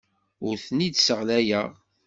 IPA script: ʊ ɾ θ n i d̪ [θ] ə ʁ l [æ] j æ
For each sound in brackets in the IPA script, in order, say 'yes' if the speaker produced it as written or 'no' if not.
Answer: no, yes

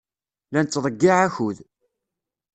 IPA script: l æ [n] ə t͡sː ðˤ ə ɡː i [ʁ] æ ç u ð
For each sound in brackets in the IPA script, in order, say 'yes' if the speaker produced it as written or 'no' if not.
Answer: yes, no

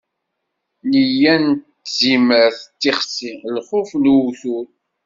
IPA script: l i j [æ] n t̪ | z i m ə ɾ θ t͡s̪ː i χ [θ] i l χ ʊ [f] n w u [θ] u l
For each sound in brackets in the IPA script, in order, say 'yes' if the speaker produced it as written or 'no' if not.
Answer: yes, no, yes, yes

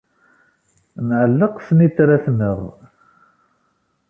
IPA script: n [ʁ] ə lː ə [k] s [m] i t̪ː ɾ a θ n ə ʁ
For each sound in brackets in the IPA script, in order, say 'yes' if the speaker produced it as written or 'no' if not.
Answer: no, no, no

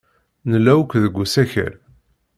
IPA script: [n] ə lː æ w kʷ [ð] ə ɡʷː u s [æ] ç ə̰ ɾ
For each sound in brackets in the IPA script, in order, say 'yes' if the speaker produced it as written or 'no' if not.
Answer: yes, yes, yes

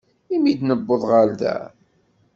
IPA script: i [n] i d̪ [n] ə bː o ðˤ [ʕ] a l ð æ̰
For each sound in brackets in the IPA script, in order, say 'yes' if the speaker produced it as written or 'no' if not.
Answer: no, yes, no

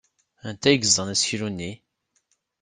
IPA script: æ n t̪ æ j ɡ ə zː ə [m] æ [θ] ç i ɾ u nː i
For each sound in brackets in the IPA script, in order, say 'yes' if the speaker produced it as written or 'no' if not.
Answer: no, no

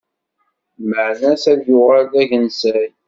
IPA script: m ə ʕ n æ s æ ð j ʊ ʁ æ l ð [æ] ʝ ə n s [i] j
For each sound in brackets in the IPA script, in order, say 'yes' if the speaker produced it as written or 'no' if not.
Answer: yes, no

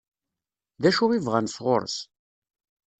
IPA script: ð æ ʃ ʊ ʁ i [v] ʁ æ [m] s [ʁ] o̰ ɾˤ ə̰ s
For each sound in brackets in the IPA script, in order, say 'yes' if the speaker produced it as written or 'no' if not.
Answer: yes, no, yes

